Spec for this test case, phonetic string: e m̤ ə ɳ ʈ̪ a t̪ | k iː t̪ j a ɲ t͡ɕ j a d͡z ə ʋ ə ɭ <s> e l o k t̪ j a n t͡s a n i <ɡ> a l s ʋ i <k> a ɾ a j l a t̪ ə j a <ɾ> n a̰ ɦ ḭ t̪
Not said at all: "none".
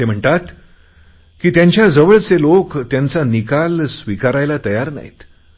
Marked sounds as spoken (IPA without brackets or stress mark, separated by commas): t͡s, k, k, ɾ